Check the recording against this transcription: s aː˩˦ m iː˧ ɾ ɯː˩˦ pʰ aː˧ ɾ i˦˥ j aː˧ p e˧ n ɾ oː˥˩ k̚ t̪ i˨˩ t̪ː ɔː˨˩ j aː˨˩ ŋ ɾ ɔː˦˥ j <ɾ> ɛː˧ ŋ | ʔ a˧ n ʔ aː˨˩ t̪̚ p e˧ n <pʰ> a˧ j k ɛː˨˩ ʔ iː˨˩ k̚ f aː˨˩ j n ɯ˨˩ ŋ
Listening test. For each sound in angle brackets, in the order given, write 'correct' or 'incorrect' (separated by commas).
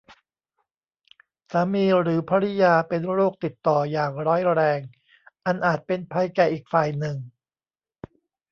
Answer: correct, correct